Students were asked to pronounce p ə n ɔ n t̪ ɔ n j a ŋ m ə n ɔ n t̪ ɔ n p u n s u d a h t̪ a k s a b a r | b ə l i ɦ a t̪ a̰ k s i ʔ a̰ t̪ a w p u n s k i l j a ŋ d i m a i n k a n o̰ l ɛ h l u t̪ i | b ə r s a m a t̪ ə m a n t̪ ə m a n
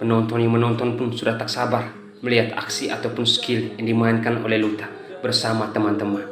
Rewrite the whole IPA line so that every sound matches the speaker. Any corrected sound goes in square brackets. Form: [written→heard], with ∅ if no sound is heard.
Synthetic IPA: p ə n ɔ n t̪ ɔ n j a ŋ m ə n ɔ n t̪ ɔ n p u n s u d a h t̪ a k s a b a r | [b→m] ə l i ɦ a t̪ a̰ k s i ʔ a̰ t̪ a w p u n s k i l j a ŋ d i m a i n k a n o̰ l ɛ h l u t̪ [i→a] | b ə r s a m a t̪ ə m a n t̪ ə m a n